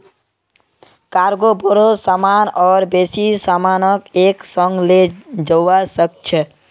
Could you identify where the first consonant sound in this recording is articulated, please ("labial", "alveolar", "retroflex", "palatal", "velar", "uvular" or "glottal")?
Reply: velar